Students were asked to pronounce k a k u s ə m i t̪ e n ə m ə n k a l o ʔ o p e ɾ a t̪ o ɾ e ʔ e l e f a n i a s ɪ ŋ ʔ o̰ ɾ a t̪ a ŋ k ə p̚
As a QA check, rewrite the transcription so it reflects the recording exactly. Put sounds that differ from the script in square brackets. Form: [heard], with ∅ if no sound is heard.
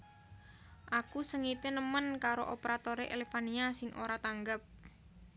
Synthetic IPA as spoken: [ʔ] a k u s ə [ŋ] i t̪ e n ə m ə n k a [ɾ] o ʔ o p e ɾ a t̪ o ɾ e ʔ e l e f a n i a s ɪ ŋ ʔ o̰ ɾ a t̪ a ŋ [ɡ] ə p̚